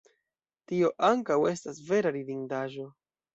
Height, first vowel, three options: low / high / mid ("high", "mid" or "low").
high